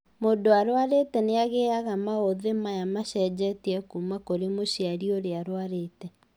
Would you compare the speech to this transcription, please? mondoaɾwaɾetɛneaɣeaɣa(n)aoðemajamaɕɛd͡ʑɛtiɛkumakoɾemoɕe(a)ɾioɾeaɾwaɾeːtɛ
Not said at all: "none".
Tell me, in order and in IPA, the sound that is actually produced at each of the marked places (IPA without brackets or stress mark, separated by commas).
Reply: m, a